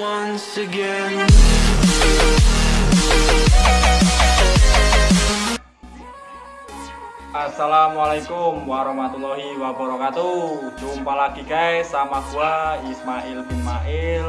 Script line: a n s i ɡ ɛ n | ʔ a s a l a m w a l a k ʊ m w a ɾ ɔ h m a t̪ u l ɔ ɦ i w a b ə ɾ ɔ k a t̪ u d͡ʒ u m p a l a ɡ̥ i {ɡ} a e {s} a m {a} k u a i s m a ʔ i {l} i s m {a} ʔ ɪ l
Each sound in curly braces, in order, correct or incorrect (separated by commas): incorrect, correct, correct, correct, correct